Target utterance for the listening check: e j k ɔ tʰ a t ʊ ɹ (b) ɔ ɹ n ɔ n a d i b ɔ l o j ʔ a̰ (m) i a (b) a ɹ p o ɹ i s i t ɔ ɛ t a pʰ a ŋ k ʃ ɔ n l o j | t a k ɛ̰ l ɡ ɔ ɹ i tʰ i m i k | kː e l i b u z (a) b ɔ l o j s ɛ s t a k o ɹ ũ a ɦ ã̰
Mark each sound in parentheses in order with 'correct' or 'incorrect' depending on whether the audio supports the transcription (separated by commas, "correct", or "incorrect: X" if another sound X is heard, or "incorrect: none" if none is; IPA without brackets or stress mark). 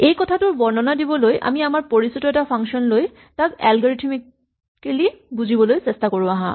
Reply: correct, correct, incorrect: m, incorrect: i